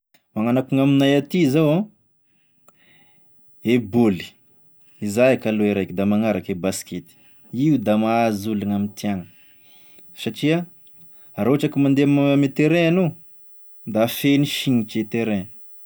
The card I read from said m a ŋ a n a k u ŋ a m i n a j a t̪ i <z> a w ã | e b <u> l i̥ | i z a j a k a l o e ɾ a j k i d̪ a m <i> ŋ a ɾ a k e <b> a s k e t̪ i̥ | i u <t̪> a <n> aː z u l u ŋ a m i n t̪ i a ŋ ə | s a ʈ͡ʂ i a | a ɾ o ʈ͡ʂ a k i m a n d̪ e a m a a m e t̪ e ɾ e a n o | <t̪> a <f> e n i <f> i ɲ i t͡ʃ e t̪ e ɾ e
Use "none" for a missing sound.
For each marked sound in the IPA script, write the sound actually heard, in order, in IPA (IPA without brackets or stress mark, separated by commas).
z, o, a, b, d̪, m, d̪, f, ʃ